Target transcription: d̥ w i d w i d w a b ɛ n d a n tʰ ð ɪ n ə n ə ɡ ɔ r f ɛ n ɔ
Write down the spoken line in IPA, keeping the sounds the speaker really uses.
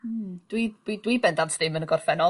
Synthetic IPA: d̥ w i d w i d w i b ɛ n d a n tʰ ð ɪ m ə n ə ɡ ɔ r f ɛ n ɔ